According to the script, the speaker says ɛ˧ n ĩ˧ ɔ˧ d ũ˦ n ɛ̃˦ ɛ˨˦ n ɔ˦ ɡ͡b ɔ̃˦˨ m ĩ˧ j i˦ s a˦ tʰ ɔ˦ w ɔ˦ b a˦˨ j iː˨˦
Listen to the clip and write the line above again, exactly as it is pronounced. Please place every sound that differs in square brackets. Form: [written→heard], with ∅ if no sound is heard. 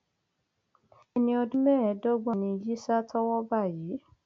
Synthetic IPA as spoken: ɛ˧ n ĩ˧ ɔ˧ d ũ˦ [n→m] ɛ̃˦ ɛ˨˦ [n→d] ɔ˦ ɡ͡b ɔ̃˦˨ [m→n] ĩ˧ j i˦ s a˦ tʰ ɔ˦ w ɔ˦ b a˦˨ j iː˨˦

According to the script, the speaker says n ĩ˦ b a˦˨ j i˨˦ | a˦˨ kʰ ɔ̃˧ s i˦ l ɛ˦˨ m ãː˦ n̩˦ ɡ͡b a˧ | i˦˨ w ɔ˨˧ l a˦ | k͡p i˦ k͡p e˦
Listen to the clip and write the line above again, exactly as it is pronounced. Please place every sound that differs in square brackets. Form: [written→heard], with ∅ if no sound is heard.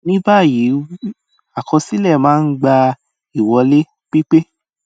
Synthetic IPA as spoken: n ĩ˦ b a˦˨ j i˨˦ | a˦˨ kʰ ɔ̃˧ s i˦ l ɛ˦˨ m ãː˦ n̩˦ ɡ͡b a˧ | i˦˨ w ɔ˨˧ l [a˦→e˦] | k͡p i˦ k͡p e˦

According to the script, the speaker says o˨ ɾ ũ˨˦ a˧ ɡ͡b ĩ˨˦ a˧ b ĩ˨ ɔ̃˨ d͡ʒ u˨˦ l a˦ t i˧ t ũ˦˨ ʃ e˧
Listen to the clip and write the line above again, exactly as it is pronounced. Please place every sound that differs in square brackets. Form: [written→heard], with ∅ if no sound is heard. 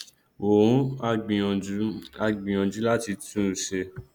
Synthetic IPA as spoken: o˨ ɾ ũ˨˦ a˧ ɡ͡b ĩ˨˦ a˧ [b→ɡ͡b] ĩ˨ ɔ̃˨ d͡ʒ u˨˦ l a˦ t i˧ t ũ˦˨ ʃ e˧

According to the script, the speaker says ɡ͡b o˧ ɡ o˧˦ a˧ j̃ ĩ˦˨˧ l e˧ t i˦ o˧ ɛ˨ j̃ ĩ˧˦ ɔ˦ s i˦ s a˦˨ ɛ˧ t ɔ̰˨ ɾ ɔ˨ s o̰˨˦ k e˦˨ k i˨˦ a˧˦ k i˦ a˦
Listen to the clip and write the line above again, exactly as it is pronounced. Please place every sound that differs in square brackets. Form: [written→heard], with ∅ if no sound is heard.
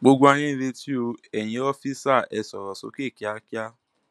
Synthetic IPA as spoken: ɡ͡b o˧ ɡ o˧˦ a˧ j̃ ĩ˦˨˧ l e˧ t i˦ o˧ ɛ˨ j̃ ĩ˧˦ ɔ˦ [s→f] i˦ s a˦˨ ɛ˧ [t→s] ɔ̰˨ ɾ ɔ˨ s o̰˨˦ k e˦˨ k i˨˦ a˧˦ k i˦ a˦

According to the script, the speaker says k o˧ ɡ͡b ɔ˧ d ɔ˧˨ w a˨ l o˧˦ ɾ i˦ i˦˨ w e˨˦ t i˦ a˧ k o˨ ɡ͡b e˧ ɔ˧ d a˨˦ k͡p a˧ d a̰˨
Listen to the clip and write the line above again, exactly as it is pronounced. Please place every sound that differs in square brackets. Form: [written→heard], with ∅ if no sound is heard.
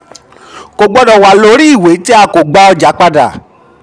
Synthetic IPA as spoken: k o˧ ɡ͡b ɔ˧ d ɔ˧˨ w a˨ l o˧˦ ɾ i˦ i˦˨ w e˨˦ t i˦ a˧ k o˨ ɡ͡b [e˧→a˧] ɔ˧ [d→d͡ʒ] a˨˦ k͡p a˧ d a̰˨

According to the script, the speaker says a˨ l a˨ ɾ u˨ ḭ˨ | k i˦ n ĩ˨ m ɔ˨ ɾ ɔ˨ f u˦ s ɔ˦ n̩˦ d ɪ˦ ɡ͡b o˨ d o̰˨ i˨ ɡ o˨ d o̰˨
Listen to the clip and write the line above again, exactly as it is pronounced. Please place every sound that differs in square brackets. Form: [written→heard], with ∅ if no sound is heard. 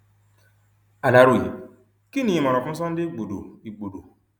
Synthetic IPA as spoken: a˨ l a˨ ɾ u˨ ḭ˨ | k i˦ n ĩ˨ m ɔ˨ ɾ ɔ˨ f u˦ s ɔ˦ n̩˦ d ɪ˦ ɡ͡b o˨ d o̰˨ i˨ [ɡ→ɡ͡b] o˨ d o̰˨

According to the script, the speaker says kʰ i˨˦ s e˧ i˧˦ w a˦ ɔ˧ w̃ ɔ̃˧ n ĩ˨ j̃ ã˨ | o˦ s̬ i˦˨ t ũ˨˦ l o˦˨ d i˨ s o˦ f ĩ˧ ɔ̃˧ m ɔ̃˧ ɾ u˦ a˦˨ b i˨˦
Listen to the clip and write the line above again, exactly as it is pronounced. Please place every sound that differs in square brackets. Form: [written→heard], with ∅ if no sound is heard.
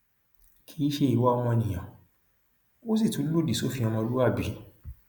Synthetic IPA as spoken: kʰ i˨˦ [s→ʃ] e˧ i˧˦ w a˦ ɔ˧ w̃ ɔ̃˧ n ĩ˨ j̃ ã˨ | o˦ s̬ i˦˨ t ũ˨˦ l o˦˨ d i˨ s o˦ f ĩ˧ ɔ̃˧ m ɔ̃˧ [ɾ→l] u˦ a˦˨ b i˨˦

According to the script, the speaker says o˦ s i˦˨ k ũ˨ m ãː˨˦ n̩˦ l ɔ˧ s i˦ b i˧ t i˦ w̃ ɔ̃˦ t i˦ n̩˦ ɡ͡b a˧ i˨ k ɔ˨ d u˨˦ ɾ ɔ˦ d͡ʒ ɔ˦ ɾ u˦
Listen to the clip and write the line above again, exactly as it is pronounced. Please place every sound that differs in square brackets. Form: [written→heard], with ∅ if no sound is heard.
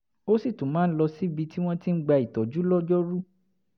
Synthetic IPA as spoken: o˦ s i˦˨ [k→t] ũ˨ m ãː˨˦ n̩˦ l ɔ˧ s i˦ b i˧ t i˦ w̃ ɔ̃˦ t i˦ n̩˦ ɡ͡b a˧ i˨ [k→t] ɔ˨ [d→d͡ʒ] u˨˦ [ɾ→l] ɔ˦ d͡ʒ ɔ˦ ɾ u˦

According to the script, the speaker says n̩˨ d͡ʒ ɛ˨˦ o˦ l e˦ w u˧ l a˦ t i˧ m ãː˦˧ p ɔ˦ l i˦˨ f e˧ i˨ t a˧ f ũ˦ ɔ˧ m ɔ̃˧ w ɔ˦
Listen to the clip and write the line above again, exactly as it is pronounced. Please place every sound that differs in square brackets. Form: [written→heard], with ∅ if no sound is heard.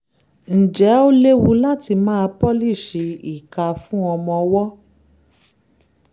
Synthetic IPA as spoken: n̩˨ d͡ʒ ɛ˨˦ o˦ l e˦ w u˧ l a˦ t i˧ m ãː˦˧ p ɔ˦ l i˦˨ [f→ʃ] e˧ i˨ [t→k] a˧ f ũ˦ ɔ˧ m ɔ̃˧ w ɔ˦

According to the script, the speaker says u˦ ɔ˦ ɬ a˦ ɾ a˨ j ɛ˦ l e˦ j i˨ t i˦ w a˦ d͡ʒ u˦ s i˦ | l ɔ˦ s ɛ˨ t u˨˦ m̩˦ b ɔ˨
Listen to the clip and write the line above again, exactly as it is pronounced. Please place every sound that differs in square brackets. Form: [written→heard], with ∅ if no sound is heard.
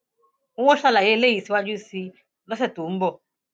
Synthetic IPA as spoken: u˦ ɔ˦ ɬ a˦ [ɾ→l] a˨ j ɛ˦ l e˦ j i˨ [t→s] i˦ w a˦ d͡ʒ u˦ s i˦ | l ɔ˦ s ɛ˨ t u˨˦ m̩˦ b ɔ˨

